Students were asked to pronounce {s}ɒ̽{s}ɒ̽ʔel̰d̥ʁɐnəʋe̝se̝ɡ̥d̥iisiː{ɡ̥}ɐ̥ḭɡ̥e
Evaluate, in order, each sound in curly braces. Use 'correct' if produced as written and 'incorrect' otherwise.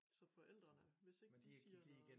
correct, incorrect: f, incorrect: none

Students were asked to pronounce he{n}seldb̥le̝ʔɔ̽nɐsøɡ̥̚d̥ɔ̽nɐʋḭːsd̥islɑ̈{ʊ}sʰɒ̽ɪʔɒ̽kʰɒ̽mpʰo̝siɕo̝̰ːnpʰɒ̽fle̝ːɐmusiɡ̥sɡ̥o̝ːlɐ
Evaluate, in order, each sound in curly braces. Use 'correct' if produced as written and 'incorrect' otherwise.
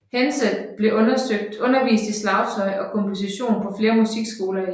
correct, correct

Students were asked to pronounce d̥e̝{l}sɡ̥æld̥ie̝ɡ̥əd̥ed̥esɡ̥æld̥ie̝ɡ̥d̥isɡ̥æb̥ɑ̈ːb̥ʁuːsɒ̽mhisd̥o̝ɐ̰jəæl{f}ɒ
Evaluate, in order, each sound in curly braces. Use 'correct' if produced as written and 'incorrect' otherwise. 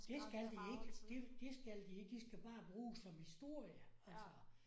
incorrect: none, incorrect: s

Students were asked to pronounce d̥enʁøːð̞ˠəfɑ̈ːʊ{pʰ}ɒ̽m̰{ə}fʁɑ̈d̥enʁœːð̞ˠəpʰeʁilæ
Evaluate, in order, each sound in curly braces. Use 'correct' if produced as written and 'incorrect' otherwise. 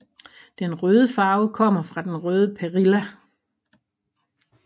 incorrect: kʰ, incorrect: ɐ

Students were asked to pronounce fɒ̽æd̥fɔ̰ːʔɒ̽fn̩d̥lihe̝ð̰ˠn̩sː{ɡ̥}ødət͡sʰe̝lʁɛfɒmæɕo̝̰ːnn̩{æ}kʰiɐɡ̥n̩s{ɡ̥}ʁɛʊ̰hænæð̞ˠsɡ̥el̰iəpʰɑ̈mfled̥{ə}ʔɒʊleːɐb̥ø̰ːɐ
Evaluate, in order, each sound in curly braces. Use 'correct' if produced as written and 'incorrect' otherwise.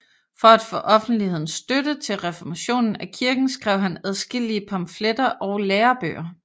incorrect: d̥, correct, correct, incorrect: ɐ

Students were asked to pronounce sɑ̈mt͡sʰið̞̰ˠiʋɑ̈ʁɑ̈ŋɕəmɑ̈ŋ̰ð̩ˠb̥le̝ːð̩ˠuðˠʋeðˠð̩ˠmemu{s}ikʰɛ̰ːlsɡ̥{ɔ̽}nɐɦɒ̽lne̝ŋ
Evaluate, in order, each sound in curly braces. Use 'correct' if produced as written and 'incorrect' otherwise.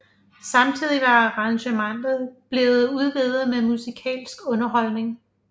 correct, correct

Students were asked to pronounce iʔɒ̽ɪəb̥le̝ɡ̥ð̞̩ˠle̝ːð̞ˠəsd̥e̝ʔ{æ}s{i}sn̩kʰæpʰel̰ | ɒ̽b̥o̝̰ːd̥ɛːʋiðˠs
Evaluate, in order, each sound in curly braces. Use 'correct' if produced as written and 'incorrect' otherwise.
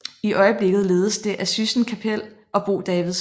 correct, incorrect: y

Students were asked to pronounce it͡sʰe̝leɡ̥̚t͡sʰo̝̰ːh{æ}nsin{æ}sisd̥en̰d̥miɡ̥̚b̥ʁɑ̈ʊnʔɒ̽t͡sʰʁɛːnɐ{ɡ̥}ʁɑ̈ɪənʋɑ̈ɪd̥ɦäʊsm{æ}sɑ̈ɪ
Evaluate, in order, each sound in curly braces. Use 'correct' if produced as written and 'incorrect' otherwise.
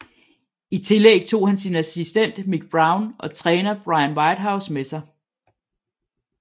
correct, correct, incorrect: b̥, incorrect: e

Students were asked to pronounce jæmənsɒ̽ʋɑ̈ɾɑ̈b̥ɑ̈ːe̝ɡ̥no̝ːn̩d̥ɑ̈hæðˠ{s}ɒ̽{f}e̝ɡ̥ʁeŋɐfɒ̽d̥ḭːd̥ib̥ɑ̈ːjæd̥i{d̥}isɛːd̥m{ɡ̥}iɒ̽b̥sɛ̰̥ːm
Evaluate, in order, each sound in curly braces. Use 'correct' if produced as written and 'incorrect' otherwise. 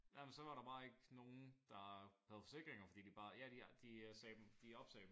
incorrect: f, incorrect: s, correct, incorrect: d̥

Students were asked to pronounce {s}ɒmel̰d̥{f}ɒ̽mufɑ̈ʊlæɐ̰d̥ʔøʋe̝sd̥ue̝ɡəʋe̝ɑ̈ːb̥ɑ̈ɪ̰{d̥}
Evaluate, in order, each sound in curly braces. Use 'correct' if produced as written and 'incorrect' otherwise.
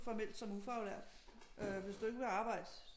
incorrect: f, incorrect: s, correct

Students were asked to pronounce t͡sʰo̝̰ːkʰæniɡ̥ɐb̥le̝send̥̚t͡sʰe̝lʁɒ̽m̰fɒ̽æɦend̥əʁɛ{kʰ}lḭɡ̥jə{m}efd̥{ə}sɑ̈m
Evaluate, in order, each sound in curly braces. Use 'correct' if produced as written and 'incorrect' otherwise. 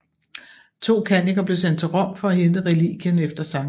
incorrect: none, incorrect: n, incorrect: ɐ

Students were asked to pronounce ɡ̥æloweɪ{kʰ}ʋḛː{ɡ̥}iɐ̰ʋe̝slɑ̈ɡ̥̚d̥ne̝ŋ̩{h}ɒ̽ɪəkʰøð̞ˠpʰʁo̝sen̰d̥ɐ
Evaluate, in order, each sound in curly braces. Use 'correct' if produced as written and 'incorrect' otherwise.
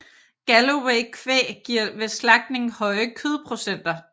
correct, correct, correct

